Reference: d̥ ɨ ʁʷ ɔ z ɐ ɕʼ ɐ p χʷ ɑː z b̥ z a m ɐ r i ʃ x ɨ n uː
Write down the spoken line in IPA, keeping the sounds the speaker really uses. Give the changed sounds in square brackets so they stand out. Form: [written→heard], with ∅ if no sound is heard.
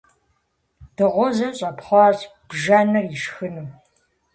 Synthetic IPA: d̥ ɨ ʁʷ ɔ z ɐ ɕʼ ɐ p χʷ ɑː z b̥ [z→ʒ] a [m→n] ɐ r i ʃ x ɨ n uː